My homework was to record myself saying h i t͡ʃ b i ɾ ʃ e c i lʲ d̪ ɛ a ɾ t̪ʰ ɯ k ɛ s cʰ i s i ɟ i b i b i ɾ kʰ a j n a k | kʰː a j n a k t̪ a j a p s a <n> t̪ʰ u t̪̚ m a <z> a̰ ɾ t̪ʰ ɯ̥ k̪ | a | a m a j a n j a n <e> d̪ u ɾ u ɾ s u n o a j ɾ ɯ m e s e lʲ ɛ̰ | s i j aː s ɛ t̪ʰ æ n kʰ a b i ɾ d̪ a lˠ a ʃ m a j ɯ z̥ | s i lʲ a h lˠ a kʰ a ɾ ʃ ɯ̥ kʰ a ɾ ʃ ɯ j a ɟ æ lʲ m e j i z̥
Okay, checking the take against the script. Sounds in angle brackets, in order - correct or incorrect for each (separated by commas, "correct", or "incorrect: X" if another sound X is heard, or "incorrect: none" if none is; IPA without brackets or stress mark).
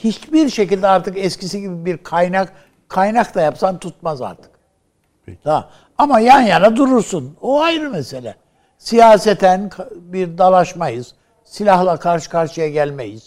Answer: correct, correct, incorrect: a